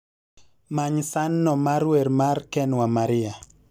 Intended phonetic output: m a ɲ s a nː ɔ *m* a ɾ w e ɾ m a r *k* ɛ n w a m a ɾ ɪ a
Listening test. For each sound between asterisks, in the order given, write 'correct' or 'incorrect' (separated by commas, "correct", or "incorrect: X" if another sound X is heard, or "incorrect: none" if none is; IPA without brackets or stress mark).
correct, correct